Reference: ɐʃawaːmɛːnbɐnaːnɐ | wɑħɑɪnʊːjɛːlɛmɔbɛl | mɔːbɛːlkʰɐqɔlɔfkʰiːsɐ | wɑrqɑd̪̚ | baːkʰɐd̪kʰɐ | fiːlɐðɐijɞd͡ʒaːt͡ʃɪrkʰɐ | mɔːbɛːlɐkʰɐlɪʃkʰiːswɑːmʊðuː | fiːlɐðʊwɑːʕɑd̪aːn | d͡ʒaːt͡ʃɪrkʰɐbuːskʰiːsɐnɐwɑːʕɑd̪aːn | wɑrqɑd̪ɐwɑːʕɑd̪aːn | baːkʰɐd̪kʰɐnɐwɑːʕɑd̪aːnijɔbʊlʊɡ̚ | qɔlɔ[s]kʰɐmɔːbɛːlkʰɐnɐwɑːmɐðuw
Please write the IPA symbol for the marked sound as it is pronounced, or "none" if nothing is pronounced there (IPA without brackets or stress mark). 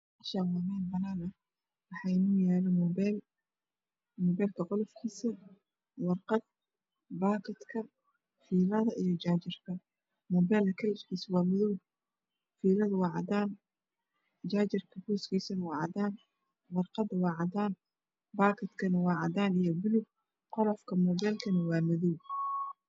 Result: f